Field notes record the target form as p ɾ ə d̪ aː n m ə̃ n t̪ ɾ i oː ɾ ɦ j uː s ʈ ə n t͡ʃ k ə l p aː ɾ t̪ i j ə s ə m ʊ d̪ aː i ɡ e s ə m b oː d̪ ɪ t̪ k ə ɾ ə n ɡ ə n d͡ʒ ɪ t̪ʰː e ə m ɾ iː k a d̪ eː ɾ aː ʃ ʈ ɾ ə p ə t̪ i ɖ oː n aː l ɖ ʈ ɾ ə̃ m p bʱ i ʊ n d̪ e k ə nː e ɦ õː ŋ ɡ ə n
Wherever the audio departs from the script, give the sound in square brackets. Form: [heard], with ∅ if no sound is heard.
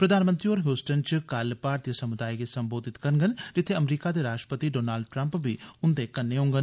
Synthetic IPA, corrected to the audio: p ɾ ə d̪ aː n m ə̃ n t̪ ɾ i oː ɾ ɦ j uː s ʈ ə n t͡ʃ k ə l p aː ɾ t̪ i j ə s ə m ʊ d̪ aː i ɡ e s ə m b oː d̪ ɪ t̪ k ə ɾ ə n ɡ ə n d͡ʒ ɪ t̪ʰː e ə m ɾ iː k a d̪ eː ɾ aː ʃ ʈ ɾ ə p ə t̪ i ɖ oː n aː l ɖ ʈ ɾ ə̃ m p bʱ i ʊ n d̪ e k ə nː e ɦ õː ŋ ɡ ə n